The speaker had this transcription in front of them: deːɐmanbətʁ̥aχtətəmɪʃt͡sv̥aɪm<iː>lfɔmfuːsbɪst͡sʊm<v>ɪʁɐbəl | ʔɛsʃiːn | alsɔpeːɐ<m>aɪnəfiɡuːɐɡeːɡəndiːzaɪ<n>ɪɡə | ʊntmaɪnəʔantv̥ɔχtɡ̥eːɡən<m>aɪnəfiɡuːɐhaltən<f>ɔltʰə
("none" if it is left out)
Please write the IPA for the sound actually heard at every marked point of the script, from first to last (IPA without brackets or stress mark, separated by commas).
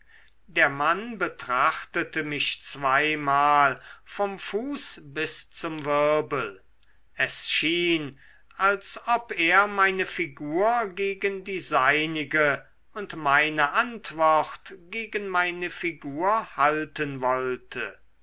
aː, v, m, n, m, v